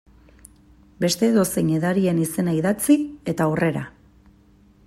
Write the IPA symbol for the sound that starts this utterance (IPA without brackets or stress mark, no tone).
b